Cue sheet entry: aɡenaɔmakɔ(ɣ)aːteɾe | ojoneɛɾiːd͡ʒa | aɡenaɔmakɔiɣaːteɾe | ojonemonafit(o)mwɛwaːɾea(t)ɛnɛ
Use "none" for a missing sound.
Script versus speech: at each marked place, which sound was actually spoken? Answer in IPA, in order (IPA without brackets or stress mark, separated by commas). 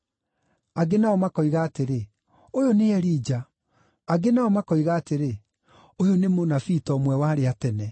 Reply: ɣ, ɔ, t